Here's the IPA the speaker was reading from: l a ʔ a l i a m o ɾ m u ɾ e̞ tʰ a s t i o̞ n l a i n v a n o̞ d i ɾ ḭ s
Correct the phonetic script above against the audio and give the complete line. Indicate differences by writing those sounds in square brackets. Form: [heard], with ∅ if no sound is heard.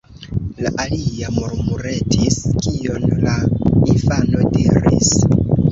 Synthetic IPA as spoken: l a ʔ a l i a m o ɾ m u ɾ e̞ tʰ [i] s [k] i o̞ n l a i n [f] a n o̞ d i ɾ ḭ s